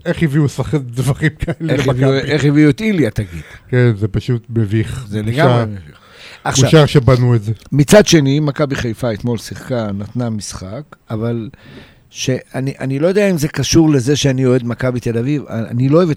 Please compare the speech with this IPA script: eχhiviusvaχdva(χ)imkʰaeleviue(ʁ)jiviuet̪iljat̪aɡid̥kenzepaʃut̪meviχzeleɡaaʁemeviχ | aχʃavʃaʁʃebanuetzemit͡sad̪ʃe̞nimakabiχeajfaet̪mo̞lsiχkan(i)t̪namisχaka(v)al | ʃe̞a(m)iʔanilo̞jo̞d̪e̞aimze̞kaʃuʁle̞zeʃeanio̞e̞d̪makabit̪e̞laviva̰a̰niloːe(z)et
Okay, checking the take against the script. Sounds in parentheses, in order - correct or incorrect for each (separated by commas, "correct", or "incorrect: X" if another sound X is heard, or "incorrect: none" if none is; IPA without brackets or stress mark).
correct, incorrect: χ, incorrect: a, correct, incorrect: n, incorrect: v